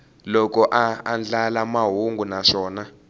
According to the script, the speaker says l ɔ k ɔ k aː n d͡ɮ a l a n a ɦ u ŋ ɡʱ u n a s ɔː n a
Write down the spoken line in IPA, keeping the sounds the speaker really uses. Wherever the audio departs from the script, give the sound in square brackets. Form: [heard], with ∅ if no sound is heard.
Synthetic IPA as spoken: l ɔ k ɔ [ʔ] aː n d͡ɮ a l a [m] a ɦ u ŋ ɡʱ u n a [ʂ] ɔː n a